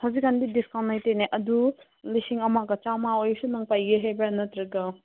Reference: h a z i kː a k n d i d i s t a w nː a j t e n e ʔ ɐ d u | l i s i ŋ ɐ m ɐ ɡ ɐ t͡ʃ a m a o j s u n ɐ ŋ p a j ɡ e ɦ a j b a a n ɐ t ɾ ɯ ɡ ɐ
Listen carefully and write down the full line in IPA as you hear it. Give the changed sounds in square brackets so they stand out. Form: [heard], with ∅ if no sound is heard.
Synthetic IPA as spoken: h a z i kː a [∅] n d i d i s [k] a w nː a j t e n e ʔ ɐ d u | l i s i ŋ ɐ m [a] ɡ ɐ t͡ʃ a m a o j s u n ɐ ŋ p a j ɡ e ɦ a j b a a n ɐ t ɾ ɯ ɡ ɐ